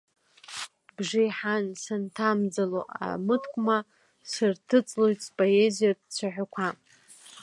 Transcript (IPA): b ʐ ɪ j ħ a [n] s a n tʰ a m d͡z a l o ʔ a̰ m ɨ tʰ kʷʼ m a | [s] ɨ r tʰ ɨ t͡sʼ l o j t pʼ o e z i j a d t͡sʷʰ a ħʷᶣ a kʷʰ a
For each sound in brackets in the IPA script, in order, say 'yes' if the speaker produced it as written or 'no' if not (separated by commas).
yes, yes